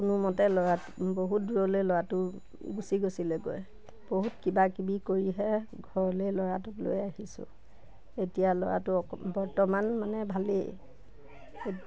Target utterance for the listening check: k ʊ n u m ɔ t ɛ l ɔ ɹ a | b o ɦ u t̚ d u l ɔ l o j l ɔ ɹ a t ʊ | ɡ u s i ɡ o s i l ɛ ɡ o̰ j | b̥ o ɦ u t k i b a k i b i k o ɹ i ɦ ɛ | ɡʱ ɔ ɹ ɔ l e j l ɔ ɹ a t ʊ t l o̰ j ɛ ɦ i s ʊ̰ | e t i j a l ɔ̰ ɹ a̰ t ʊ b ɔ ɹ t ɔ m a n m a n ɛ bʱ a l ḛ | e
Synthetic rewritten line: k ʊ n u m ɔ t ɛ l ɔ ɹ a | b o ɦ u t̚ d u ɹ ɔ l o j l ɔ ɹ a t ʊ | ɡ u s i ɡ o s i l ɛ ɡ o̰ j | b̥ o ɦ u t k i b a k i b i k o ɹ i ɦ ɛ | ɡʱ ɔ ɹ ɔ l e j l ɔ ɹ a t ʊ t l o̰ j a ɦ i s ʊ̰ | e t i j a l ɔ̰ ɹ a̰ t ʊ b ɔ ɹ t ɔ m a n m a n ɛ bʱ a l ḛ | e